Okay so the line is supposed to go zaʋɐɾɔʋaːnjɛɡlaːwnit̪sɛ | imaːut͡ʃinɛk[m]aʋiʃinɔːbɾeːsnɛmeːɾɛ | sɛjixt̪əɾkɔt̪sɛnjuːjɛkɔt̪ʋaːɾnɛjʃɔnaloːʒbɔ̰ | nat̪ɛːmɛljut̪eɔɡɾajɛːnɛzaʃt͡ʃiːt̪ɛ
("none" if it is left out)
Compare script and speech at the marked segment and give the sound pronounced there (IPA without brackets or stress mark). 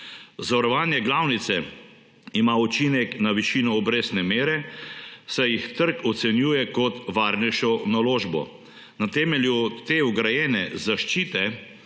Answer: n